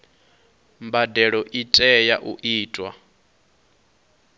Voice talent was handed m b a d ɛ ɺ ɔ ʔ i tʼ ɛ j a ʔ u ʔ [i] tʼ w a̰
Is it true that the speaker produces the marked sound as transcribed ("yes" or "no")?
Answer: no